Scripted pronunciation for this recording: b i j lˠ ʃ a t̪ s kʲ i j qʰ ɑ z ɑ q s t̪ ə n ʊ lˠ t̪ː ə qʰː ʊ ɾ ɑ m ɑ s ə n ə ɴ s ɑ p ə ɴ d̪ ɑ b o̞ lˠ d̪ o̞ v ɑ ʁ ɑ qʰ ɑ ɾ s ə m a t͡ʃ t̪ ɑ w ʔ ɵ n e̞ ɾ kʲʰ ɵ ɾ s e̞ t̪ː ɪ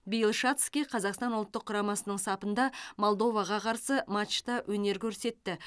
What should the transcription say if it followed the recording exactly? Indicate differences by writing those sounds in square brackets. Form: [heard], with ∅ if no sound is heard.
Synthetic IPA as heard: b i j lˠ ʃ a t̪ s kʲ i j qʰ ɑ z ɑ q s t̪ [ɑ] n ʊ lˠ t̪ː ə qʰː ʊ ɾ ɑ m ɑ s ə n ə ɴ s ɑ p ə [n] d̪ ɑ [m] o̞ lˠ d̪ o̞ v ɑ ʁ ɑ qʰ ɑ ɾ s ə m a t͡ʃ t̪ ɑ w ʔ ɵ n e̞ ɾ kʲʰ ɵ ɾ s e̞ t̪ː ɪ